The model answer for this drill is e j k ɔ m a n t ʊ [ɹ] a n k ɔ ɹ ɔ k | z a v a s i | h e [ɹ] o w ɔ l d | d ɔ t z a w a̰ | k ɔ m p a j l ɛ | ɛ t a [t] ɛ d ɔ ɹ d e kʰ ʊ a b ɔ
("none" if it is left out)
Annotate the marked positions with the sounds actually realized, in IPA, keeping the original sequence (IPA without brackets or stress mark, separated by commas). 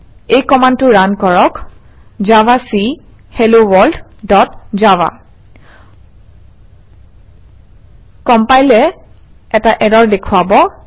ɹ, l, ʔ